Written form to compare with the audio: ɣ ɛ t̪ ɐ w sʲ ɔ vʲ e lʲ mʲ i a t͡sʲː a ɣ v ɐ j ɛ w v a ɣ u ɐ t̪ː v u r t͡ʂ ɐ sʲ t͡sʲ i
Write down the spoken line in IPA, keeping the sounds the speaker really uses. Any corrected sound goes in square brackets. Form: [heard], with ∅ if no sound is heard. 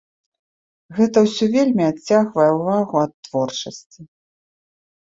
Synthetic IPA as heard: ɣ ɛ t̪ ɐ w sʲ ɔ vʲ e lʲ mʲ i a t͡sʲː a ɣ v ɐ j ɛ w v a ɣ u ɐ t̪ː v [ɔ] r t͡ʂ ɐ sʲ t͡sʲ i